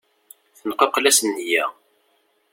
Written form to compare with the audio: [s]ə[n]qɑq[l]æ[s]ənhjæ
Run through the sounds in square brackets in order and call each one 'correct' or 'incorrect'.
incorrect, correct, correct, correct

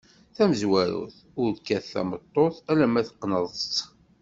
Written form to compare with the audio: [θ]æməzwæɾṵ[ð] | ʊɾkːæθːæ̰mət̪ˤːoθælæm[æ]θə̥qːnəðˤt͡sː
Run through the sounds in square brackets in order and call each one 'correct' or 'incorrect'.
correct, incorrect, correct

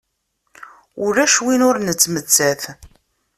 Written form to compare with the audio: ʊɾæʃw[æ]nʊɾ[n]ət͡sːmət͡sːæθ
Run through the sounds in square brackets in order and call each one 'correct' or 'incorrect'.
incorrect, correct

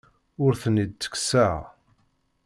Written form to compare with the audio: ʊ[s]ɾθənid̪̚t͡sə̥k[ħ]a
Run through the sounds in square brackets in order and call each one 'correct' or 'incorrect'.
incorrect, incorrect

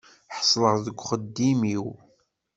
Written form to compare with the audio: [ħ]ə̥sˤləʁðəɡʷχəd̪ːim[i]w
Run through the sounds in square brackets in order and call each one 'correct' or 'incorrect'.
correct, correct

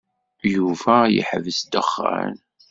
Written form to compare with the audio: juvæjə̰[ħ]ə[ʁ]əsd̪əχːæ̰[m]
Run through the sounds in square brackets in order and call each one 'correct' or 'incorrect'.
correct, incorrect, incorrect

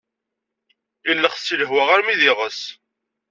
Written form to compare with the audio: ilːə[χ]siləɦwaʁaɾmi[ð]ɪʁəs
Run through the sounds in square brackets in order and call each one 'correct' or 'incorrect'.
correct, correct

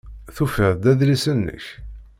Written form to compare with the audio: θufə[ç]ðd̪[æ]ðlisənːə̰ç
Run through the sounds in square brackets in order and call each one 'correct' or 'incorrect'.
incorrect, correct

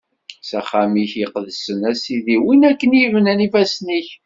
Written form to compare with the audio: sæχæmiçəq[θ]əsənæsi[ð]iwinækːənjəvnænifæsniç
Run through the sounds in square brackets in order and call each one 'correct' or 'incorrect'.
incorrect, correct

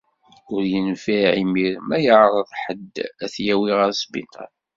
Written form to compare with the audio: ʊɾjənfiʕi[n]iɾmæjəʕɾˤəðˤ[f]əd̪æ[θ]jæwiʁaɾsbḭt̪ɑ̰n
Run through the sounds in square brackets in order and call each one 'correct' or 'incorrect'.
incorrect, incorrect, correct

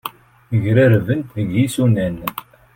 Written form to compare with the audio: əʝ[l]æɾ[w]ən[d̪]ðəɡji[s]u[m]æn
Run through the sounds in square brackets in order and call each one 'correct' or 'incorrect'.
incorrect, incorrect, incorrect, correct, incorrect

